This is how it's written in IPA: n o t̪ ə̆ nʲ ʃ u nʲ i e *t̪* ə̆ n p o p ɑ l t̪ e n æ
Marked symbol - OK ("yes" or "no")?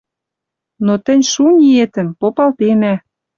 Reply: yes